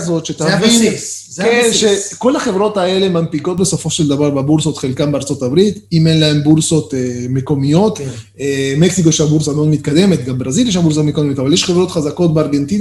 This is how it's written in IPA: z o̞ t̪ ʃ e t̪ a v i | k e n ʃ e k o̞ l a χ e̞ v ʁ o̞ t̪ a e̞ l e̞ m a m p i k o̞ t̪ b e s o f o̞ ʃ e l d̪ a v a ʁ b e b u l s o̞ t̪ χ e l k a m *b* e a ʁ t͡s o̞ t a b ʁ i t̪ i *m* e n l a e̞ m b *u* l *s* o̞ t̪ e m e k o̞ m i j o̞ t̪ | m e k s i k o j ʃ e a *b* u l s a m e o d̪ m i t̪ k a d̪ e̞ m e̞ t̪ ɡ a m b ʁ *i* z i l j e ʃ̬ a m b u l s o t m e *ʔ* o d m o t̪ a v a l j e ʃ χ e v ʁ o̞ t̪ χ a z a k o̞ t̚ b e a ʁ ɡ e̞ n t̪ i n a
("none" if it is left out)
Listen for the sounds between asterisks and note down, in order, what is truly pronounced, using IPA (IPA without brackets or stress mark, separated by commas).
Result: b, m, u, s, b, a, k